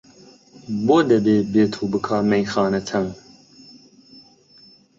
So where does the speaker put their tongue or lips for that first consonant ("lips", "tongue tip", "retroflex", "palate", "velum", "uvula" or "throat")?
lips